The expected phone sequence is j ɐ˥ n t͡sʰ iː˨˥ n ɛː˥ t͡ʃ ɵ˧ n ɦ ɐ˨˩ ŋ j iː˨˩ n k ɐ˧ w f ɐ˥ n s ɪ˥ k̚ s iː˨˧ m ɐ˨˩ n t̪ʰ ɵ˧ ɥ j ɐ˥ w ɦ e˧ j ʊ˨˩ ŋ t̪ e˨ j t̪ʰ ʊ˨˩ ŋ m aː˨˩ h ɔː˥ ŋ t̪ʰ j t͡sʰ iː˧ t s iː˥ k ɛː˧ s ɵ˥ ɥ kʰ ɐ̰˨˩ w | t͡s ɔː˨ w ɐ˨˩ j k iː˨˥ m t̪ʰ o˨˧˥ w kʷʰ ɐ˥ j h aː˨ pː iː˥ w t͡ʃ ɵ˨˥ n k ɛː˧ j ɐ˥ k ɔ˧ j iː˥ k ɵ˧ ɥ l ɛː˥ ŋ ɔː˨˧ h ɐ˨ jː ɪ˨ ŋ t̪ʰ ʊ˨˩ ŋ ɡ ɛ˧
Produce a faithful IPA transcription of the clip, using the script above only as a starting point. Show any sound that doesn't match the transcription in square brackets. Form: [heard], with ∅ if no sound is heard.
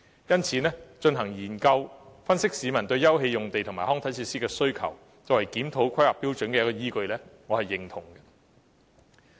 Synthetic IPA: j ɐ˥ n t͡sʰ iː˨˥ n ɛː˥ t͡ʃ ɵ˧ n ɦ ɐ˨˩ ŋ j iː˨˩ n k ɐ˧ w f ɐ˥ n s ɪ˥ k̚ s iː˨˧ m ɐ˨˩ n [t̪] ɵ˧ ɥ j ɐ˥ w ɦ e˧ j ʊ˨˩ ŋ t̪ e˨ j t̪ʰ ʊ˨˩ ŋ m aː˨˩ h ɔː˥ ŋ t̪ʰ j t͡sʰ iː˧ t s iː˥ k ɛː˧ s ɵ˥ ɥ kʰ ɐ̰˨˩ w | t͡s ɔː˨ w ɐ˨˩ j k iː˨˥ m t̪ʰ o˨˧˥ w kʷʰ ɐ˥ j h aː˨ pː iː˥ w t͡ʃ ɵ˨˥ n k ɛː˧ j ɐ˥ k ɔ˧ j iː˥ k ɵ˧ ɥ l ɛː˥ ŋ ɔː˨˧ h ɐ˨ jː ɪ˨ ŋ t̪ʰ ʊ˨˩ ŋ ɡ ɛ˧